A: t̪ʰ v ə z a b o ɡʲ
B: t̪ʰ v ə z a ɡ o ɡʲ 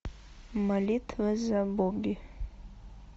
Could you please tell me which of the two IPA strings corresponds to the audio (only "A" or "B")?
A